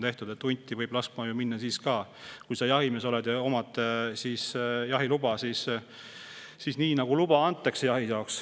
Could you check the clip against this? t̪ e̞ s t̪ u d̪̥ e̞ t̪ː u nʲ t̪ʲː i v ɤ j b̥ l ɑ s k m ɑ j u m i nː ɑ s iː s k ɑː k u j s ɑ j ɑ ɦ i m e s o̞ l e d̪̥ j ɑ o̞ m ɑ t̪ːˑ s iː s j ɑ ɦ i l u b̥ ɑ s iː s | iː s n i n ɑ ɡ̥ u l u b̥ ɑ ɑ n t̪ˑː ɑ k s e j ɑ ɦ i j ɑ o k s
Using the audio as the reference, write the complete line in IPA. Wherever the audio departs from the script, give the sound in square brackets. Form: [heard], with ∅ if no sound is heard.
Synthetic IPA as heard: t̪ e̞ [h] t̪ u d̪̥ e̞ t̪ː u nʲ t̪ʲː i v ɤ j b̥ l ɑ s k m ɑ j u m i nː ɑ s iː s k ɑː k u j s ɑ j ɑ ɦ i m e s o̞ l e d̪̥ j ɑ o̞ m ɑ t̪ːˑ s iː s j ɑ ɦ i l u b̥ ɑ s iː s | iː s n [iː] n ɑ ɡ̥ u l u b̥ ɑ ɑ n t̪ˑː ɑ k s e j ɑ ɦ i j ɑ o k s